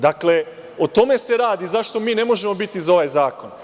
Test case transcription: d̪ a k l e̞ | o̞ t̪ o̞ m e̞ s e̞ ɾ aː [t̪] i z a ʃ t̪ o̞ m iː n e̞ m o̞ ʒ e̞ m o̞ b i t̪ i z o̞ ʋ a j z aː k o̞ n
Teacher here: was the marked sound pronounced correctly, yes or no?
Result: no